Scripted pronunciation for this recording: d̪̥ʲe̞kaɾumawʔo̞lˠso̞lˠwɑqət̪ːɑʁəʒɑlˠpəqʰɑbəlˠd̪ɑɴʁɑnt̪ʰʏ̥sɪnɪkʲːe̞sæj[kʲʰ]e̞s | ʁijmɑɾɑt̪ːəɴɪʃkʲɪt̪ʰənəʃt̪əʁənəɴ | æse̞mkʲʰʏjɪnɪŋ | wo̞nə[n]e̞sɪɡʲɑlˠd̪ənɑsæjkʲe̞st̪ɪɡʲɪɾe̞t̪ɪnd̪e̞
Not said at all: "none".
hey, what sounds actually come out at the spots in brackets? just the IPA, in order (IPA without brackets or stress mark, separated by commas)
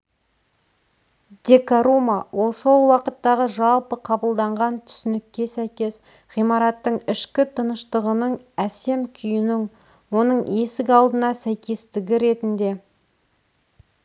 kʲ, ɴ